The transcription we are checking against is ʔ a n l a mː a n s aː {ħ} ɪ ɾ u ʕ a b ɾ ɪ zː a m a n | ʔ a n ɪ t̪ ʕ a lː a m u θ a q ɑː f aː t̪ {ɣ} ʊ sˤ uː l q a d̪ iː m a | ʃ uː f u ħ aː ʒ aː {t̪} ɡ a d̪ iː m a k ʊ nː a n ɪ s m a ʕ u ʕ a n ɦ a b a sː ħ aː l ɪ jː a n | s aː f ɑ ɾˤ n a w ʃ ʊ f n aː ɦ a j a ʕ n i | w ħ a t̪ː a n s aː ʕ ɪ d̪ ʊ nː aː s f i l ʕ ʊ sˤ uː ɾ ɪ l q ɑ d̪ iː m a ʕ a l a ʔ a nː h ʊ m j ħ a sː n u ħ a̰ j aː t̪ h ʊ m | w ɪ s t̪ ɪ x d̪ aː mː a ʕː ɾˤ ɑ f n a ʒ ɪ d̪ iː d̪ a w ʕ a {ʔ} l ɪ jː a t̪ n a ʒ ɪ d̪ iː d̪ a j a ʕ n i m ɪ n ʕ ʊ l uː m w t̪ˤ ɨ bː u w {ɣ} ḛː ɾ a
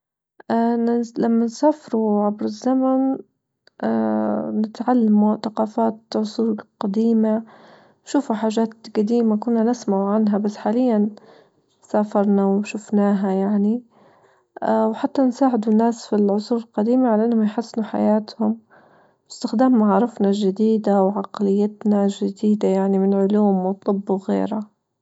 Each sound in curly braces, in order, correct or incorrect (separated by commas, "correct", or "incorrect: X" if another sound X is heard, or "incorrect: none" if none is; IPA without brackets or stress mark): incorrect: f, incorrect: ʕ, correct, incorrect: q, correct